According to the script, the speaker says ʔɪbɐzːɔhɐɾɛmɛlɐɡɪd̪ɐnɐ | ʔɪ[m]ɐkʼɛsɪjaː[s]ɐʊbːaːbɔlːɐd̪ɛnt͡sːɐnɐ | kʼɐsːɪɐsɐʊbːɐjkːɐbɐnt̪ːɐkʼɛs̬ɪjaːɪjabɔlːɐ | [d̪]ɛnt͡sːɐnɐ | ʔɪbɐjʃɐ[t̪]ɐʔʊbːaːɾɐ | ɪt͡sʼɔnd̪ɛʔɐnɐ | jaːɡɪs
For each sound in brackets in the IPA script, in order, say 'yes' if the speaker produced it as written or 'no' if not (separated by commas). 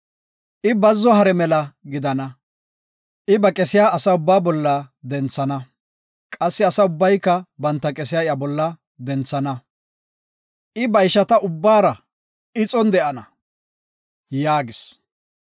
no, yes, yes, yes